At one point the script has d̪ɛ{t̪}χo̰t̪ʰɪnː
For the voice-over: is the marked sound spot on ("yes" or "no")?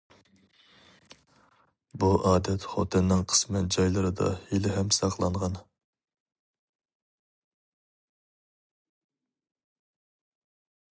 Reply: yes